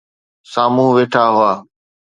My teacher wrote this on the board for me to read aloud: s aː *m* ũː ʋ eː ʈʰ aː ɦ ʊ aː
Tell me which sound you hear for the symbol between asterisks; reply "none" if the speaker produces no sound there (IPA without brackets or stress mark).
m